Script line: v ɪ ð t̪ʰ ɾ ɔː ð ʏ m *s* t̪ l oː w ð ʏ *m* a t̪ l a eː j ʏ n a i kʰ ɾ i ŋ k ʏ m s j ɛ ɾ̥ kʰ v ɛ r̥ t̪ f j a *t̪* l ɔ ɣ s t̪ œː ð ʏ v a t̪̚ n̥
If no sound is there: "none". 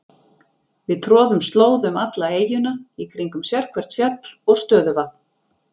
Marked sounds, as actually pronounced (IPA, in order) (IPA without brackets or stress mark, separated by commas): s, m, t̪